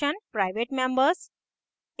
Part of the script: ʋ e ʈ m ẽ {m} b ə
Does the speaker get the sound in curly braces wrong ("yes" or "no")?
no